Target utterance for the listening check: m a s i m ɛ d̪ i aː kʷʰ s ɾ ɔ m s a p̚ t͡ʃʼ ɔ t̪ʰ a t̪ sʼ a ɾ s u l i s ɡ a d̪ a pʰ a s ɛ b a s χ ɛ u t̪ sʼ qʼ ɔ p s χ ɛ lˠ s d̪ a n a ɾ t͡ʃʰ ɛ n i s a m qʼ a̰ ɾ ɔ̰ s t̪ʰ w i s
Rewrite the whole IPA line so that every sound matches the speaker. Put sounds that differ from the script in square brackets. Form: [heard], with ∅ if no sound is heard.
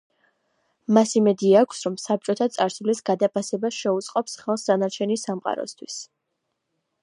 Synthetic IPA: m a s i m ɛ d̪ i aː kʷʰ s ɾ ɔ m s a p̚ t͡ʃʼ ɔ t̪ʰ a t̪ sʼ a ɾ s u l i s ɡ a d̪ a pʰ a s ɛ b a s [ʃ] ɛ u t̪ sʼ qʼ ɔ p s χ ɛ lˠ s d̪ a n a ɾ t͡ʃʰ ɛ n i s a m qʼ a̰ ɾ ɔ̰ s t̪ʰ w i s